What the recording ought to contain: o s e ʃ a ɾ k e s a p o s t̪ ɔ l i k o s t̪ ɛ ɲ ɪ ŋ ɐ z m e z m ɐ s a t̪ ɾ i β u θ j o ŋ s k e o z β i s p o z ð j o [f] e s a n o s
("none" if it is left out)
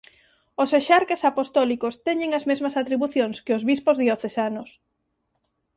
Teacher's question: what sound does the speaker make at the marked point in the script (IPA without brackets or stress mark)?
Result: θ